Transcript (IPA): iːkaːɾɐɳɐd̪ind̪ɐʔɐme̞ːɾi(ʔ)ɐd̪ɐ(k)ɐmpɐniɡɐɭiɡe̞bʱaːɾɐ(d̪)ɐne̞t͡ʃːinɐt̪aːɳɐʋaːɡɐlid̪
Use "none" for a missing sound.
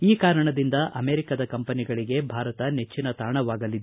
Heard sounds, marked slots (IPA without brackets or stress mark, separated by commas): k, k, t̪